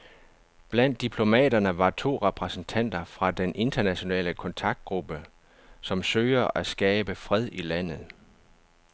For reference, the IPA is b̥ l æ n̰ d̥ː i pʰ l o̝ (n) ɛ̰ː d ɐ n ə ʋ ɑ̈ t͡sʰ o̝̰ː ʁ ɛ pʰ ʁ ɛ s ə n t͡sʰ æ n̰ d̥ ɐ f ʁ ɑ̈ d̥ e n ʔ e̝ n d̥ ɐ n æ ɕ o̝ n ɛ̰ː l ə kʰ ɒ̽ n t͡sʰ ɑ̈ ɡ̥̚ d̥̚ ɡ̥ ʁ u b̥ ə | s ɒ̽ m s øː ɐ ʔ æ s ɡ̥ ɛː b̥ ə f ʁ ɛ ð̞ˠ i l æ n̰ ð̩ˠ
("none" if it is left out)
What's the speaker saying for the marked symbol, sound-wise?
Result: m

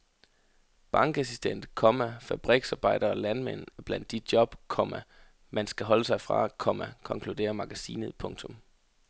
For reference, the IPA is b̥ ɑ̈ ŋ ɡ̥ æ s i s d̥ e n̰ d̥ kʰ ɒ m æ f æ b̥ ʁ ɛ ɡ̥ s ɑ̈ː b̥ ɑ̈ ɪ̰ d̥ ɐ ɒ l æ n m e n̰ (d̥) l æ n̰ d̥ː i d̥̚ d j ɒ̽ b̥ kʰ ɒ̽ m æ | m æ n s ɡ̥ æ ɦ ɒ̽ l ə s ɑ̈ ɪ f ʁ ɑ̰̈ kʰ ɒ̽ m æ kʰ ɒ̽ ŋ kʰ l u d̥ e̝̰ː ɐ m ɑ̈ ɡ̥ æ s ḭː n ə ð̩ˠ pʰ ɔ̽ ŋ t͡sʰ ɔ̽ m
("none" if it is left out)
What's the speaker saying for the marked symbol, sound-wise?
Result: b̥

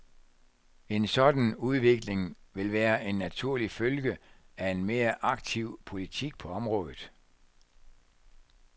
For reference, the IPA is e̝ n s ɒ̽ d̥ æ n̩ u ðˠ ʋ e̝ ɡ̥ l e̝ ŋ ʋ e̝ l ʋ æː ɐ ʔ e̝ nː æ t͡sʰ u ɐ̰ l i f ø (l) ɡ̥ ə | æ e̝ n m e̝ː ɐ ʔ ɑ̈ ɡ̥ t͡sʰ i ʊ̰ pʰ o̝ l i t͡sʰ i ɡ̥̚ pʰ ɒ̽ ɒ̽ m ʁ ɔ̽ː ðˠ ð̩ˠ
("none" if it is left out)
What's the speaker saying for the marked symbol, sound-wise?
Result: l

